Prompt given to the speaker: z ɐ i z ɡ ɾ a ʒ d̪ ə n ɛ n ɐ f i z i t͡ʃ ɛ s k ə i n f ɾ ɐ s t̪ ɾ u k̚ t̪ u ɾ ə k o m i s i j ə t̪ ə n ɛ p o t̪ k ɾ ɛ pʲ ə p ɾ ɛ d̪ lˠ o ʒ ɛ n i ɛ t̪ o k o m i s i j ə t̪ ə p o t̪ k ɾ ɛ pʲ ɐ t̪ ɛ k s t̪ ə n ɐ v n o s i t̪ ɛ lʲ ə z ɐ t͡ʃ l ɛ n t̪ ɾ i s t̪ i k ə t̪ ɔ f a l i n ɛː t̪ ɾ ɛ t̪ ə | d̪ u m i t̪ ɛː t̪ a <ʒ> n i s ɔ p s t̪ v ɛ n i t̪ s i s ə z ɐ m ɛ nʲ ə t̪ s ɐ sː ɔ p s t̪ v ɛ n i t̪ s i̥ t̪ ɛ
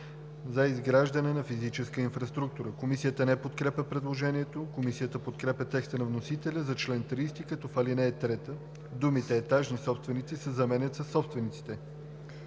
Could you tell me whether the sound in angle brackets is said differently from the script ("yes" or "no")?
no